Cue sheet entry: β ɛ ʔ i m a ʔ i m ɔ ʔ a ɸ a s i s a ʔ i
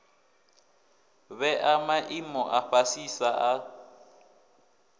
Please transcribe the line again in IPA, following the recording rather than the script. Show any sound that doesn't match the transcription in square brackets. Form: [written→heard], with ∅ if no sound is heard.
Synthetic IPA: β ɛ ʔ [i→a] m a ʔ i m ɔ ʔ a ɸ a s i s a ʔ [i→a]